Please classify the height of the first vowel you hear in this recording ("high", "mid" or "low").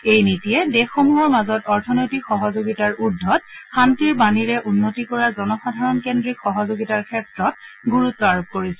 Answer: mid